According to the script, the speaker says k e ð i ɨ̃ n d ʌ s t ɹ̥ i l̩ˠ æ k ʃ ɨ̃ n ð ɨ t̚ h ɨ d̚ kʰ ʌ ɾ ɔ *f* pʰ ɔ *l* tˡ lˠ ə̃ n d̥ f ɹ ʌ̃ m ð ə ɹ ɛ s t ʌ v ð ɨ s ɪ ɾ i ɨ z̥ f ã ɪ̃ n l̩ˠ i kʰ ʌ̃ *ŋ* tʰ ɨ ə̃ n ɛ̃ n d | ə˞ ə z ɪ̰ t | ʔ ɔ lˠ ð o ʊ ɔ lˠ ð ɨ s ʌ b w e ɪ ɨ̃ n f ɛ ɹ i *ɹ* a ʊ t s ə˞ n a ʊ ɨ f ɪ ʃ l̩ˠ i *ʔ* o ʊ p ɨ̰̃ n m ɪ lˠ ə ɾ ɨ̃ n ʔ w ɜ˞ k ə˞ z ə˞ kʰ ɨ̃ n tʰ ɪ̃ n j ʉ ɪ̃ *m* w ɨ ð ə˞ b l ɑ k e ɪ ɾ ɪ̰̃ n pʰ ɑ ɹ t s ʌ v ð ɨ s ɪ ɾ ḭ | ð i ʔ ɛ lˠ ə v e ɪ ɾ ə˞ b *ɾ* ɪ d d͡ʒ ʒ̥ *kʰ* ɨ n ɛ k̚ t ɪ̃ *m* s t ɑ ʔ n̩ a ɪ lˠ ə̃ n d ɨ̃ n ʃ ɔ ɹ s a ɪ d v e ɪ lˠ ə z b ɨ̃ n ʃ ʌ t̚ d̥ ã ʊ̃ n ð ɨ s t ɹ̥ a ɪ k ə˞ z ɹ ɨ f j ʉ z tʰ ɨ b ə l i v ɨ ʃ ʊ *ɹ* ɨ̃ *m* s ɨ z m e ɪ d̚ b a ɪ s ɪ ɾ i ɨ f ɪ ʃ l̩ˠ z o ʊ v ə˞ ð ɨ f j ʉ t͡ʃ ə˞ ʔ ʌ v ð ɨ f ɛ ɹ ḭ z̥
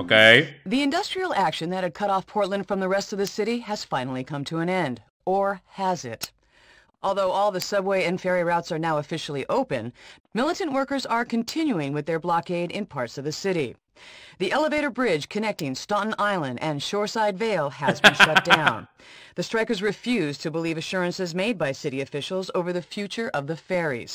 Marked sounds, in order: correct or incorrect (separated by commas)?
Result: correct, incorrect, incorrect, correct, correct, incorrect, incorrect, correct, incorrect, correct, incorrect